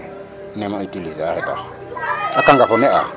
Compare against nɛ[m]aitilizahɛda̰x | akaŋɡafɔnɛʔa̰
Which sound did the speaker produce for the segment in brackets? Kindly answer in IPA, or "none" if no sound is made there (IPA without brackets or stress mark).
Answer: m